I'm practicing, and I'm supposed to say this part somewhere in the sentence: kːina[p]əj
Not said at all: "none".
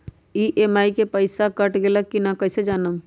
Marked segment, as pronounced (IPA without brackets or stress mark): k